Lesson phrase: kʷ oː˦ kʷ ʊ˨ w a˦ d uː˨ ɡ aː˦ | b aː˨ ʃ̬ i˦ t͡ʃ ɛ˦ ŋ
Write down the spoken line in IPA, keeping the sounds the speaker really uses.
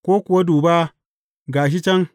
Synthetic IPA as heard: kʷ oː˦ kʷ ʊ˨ w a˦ d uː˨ b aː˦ | ɡ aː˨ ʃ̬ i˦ t͡ʃ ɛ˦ ŋ